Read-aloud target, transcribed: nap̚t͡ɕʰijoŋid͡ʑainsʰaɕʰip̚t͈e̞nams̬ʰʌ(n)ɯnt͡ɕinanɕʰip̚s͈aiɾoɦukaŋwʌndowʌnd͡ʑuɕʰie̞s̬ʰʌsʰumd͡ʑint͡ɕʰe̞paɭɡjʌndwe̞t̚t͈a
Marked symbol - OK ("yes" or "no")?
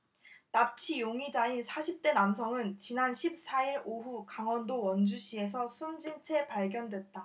no